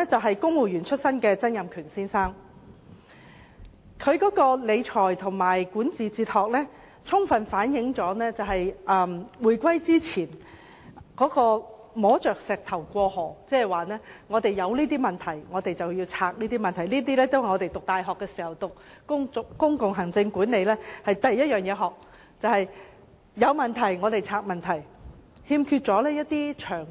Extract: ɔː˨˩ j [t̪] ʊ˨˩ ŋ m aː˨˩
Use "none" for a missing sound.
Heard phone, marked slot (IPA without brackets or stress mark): t̪ʰ